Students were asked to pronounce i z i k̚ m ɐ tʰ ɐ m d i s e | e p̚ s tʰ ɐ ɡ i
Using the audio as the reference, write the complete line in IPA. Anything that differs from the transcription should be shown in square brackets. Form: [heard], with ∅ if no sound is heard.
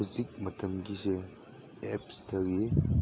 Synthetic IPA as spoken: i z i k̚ m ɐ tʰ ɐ m [ɡ] i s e | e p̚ s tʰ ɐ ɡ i